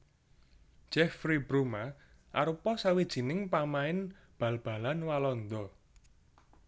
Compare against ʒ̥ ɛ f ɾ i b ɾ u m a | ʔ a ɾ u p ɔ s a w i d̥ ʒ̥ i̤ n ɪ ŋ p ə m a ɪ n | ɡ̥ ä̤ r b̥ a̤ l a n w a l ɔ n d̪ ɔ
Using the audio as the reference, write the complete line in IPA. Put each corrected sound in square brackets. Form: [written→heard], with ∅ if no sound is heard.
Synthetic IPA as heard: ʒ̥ ɛ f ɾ i b ɾ u m a | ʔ a ɾ u p ɔ s a w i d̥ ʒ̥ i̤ n ɪ ŋ p [ə→a] m a ɪ n | [ɡ̥→b̥] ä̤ [r→l] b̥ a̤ l a n w a l ɔ n d̪ ɔ